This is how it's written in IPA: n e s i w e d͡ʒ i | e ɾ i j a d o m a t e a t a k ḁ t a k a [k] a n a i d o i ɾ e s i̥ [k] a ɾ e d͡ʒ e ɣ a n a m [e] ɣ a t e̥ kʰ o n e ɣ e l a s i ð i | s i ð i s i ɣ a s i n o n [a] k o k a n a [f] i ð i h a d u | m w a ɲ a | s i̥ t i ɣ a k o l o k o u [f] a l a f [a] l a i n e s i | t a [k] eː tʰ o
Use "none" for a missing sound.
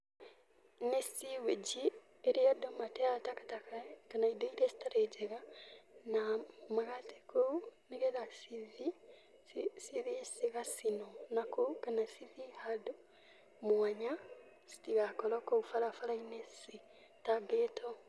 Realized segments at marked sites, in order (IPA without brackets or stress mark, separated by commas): k, t, a, a, s, f, a, ɡ